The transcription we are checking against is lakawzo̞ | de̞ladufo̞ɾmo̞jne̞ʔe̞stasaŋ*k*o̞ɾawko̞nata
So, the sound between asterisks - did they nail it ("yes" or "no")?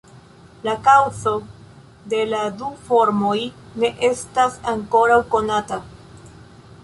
yes